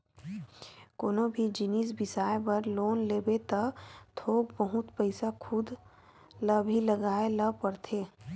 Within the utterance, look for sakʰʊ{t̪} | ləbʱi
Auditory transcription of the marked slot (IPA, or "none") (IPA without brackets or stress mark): d̪